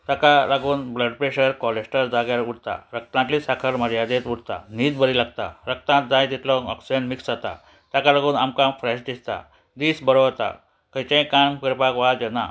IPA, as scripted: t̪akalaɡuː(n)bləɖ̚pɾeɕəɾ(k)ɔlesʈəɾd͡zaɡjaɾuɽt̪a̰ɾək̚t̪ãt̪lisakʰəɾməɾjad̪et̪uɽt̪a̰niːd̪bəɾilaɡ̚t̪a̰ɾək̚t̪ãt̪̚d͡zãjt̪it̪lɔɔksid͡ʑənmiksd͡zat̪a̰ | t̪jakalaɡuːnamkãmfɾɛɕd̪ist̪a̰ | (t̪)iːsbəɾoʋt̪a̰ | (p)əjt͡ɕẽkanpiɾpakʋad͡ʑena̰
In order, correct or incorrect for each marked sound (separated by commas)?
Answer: correct, correct, incorrect, incorrect